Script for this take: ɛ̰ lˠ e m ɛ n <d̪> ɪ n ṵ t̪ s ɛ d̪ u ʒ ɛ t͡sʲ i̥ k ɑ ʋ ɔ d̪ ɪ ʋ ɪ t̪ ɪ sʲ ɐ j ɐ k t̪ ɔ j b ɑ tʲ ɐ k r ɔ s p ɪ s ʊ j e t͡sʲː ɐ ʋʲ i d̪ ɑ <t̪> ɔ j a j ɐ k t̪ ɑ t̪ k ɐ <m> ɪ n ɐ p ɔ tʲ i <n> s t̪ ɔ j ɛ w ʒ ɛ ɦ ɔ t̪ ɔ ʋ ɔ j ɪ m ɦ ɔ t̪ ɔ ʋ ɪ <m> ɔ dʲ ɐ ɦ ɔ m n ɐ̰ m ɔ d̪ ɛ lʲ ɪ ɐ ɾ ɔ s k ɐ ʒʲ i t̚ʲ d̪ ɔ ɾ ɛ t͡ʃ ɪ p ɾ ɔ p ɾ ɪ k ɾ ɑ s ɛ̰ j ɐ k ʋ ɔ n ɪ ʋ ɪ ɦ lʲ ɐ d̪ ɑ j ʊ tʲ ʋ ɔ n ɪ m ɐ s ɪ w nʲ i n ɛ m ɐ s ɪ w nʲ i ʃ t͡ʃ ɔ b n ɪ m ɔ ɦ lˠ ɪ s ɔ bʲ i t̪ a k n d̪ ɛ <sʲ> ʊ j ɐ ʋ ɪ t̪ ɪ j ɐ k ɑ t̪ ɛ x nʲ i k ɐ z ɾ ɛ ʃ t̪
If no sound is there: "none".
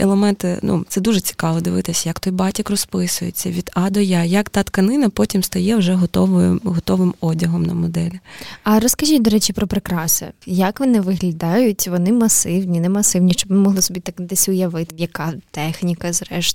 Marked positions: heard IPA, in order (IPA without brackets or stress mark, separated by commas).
t̪, d̪, n, m, m, sʲ